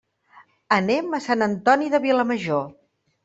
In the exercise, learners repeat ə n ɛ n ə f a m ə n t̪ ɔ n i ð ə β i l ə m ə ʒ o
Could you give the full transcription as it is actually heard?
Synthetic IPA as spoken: ə n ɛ m ə s a n ə n t̪ ɔ n i ð ə β i l ə m ə ʒ o

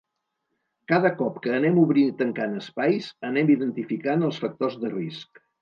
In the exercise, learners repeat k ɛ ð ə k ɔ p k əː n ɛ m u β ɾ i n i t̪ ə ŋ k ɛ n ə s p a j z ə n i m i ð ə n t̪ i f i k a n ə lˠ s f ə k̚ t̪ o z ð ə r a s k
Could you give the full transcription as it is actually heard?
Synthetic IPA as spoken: k a ð ə k ɔ p k əː n ɛ m u β ɾ i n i t̪ ə ŋ k a n ə s p a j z ə n ɛ m i ð ə n t̪ i f i k a n ə lˠ s f ə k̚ t̪ o z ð ə r i s k

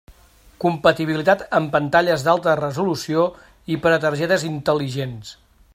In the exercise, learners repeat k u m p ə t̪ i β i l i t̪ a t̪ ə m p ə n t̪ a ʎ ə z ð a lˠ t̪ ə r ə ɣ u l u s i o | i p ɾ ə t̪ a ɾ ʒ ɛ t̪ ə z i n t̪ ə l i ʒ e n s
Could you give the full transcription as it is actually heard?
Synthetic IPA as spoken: k u m p ə t̪ i β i l i t̪ a t̪ ə m p ə n t̪ a ʎ ə z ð a lˠ t̪ ə r ə z u l u s i o | i p ɾ ə t̪ ə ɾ ʒ ɛ t̪ ə z i n t̪ ə l i ʒ e n s

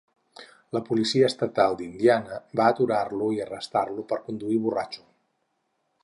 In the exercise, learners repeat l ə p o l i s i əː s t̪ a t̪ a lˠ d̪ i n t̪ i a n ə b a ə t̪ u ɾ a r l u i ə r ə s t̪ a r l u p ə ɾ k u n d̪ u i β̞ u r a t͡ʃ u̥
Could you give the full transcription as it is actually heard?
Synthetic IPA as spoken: l ə p u l i s i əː s t̪ ə t̪ a lˠ d̪ i n d̪ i a n ə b a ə t̪ u ɾ a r l u i ə r ə s t̪ a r l u p ə ɾ k u n d̪ u i β̞ u r a t͡ʃ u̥

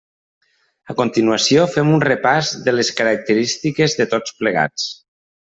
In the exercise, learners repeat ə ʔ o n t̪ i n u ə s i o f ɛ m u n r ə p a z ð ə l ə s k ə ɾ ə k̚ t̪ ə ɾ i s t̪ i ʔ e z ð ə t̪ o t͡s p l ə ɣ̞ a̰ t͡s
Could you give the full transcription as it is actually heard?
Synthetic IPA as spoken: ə k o n t̪ i n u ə s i o f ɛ m u n r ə p a z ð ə l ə s k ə ɾ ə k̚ t̪ ə ɾ i s t̪ i k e z ð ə t̪ o t͡s p l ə ɣ̞ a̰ t͡s

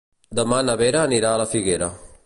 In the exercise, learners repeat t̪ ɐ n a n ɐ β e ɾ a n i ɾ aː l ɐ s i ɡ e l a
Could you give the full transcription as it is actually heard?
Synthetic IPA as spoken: d̪ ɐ m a n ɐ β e ɾ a n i ɾ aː l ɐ f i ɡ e ɾ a

